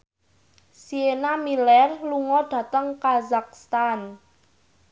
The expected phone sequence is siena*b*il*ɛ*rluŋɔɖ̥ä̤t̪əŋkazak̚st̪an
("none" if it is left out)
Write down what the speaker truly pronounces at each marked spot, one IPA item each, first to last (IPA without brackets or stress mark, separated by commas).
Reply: m, ɛ